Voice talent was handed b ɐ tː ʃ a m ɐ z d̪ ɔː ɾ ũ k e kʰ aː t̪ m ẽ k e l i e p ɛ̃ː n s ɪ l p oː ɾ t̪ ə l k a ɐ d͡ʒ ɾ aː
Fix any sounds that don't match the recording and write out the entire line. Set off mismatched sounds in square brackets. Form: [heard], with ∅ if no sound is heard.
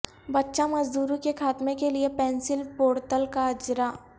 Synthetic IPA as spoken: b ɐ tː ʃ a m ɐ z d̪ [uː] ɾ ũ k e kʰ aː t̪ m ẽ k e l i e p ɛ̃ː n s ɪ l p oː ɾ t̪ ə l k a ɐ d͡ʒ ɾ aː